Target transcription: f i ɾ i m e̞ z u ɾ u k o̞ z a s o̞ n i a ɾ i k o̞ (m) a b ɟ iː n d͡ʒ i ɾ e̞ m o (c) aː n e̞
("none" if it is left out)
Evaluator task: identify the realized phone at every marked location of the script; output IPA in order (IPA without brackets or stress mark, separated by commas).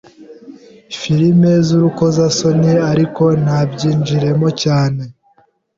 n, c